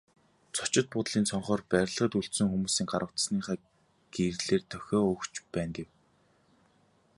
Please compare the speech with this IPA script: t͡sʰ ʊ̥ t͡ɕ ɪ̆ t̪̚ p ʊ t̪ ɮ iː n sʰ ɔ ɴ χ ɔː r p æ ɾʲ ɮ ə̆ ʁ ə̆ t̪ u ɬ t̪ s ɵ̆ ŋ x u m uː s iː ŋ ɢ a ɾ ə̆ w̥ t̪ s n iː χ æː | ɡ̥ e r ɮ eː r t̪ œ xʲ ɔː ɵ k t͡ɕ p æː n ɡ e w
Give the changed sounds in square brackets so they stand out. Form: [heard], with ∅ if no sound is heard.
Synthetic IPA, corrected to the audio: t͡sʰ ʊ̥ t͡ɕ ɪ̆ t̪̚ p ʊ t̪ ɮ iː n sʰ ɔ ɴ χ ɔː r p æ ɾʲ ɮ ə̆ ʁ ə̆ t̪ u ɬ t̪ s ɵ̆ ŋ x u m uː s iː ŋ ɢ a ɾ ə̆ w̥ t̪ s n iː χ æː | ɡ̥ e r ɮ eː r [t̪ʰ] œ xʲ ɔː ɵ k t͡ɕ p æː n ɡ e w